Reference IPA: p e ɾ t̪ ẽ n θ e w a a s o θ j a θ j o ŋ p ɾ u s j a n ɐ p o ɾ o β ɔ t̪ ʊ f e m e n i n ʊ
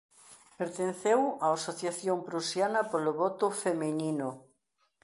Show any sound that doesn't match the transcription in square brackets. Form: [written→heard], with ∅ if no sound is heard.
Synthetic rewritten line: p e ɾ t̪ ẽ n θ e w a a s o θ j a θ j o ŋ p ɾ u s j a n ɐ p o [ɾ→l] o β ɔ t̪ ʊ f e m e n i n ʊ